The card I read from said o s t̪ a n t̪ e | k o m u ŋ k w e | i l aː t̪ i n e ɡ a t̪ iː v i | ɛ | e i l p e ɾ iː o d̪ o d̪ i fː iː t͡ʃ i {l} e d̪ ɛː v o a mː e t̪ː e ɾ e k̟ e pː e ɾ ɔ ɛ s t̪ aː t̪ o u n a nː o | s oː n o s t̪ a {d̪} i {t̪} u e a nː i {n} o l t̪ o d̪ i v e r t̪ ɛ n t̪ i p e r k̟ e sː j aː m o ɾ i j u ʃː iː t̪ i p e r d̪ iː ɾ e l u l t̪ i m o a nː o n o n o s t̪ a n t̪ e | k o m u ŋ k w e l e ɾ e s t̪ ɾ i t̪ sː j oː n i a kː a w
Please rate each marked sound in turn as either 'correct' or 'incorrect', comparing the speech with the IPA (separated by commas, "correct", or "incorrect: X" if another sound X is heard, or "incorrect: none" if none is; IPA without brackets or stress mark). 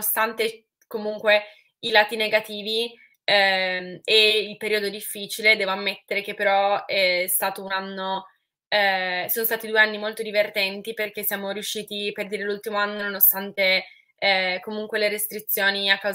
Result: correct, incorrect: t̪, incorrect: d̪, incorrect: m